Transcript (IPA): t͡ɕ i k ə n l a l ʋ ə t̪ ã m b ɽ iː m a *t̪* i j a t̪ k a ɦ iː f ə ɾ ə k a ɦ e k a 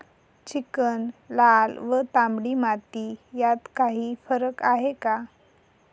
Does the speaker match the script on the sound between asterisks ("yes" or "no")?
yes